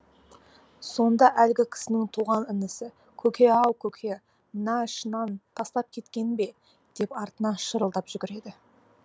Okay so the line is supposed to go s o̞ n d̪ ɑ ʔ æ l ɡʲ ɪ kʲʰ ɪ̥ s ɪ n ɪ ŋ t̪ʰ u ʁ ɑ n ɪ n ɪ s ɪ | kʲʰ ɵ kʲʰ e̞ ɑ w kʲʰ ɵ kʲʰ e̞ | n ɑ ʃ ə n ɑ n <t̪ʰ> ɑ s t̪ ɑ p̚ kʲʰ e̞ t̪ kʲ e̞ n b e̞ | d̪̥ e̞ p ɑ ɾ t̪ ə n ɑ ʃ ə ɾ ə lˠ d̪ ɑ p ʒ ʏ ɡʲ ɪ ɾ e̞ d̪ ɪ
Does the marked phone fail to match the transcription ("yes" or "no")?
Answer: no